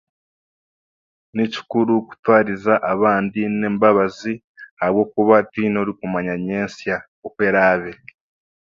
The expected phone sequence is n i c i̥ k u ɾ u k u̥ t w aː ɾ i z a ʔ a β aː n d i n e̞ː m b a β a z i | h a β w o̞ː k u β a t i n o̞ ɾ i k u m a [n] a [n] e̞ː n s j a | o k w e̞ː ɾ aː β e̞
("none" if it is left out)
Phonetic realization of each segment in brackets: ɲ, ɲ

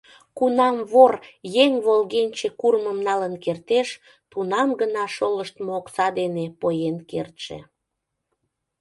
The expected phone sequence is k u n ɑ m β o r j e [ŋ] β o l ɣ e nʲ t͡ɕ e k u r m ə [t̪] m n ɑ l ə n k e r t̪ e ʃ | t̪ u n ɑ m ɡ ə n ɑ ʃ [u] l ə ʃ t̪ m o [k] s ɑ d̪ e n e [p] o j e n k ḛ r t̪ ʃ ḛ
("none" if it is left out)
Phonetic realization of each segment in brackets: ŋ, none, o, k, p

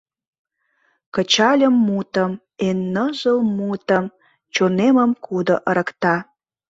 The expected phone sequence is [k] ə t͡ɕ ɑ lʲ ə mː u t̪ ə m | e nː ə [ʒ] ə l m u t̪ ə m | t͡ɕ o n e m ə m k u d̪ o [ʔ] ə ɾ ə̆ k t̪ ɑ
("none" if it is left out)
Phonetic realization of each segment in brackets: k, ʒ, ʔ

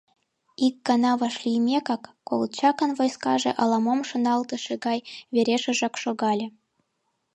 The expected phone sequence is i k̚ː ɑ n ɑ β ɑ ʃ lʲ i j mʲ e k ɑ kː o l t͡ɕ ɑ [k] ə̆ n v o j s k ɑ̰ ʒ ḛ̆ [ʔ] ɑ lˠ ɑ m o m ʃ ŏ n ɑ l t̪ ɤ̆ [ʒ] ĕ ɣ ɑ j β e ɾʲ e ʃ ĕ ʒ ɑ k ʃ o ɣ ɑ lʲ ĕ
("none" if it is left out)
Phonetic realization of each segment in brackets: k, ʔ, ʃ

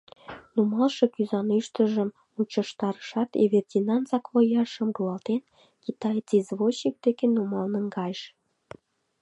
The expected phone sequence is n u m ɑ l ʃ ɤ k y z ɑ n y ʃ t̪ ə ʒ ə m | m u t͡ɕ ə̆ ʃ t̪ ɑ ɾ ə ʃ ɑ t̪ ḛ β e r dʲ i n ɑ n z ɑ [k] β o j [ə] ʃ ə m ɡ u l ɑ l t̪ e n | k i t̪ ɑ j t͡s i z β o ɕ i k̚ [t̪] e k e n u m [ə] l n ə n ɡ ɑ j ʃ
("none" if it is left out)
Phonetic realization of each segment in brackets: k, ɑ, d̪, ɑ

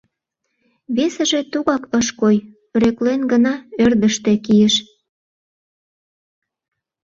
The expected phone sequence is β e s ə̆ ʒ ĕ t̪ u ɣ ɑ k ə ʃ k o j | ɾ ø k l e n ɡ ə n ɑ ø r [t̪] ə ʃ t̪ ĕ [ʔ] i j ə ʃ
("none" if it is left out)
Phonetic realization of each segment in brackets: d̪, k

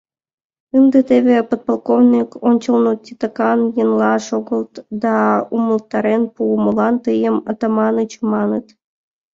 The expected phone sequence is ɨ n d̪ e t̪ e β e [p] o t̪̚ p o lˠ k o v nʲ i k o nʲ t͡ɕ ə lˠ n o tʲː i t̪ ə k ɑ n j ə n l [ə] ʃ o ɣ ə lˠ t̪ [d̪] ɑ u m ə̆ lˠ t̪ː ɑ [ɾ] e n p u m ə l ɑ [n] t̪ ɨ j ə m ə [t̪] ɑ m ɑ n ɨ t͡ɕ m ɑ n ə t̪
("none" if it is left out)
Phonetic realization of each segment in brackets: p, ɑ, d̪, ɾ, n, t̪

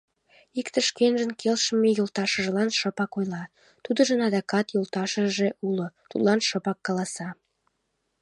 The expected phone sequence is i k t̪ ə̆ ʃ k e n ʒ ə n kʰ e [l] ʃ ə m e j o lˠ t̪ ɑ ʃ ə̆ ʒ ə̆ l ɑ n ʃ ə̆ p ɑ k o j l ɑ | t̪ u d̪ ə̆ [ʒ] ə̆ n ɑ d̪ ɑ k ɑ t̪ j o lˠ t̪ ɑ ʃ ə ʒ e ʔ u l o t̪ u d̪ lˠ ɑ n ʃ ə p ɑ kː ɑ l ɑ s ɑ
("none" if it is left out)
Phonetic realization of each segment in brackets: l, ʒ

